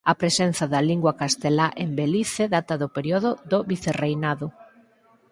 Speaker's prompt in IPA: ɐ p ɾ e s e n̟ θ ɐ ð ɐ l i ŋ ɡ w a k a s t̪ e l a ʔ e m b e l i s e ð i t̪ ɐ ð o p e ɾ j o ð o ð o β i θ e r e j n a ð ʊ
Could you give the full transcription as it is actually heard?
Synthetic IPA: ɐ p ɾ e s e n̟ θ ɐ ð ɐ l i ŋ ɡ w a k a s t̪ e l a ʔ e m b e l i θ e ð a t̪ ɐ ð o p e ɾ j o ð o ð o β i θ e r e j n a ð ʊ